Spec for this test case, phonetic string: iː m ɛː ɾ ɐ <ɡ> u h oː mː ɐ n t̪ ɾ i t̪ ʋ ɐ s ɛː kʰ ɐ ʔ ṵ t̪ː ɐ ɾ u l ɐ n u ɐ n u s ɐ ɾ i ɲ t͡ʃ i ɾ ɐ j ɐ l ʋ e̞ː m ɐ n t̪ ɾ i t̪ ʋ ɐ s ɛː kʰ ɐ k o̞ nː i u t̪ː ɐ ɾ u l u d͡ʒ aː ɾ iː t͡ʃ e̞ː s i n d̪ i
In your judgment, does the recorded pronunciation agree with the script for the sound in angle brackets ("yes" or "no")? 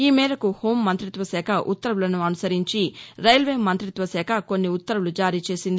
no